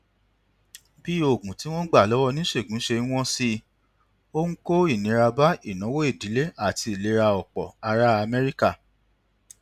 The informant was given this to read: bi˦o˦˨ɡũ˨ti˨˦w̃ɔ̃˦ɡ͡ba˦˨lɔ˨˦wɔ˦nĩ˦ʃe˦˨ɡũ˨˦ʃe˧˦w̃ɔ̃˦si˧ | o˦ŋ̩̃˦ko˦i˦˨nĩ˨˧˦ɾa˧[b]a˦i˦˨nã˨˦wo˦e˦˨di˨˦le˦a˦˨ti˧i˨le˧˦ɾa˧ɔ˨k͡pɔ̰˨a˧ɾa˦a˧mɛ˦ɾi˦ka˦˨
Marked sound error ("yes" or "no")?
no